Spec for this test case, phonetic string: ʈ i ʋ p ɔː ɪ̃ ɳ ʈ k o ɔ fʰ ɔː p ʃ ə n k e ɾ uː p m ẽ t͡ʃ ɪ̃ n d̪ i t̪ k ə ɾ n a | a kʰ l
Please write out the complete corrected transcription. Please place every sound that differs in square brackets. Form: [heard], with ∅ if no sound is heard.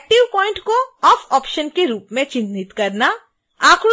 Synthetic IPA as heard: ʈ i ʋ p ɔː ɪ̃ ɳ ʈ k o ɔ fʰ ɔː p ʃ ə n k e ɾ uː p m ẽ t͡ʃ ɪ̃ n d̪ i t̪ k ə ɾ n a | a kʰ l